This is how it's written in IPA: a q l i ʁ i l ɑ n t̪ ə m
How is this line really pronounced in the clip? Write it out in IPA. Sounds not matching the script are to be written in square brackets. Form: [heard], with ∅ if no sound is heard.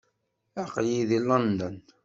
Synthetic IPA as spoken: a q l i [ð] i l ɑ n [d̪] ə [n]